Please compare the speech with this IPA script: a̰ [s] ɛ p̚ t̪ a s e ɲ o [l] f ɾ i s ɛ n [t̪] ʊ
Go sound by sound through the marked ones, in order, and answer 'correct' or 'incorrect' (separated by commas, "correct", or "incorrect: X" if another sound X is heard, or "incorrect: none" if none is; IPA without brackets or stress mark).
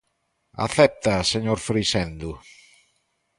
incorrect: θ, incorrect: ɾ, incorrect: d̪